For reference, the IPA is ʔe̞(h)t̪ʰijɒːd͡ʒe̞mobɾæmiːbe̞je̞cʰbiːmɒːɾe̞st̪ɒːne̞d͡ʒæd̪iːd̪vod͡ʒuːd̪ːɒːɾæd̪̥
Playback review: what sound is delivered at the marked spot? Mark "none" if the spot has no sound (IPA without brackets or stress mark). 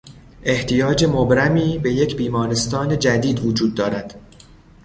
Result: h